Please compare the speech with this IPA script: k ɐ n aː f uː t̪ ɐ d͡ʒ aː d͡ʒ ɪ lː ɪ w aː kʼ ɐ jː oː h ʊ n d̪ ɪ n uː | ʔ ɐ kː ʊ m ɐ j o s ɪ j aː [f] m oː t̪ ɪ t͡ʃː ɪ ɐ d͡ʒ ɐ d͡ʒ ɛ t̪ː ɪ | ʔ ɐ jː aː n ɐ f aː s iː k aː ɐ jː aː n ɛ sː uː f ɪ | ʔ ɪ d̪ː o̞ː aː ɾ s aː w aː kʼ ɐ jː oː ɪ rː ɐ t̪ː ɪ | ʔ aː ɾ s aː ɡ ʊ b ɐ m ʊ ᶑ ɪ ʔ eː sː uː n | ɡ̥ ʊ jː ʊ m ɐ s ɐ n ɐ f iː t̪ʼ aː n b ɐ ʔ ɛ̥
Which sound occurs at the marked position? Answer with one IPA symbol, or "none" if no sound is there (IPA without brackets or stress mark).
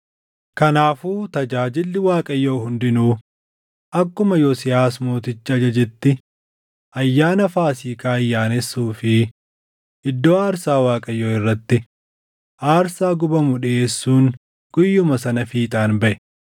s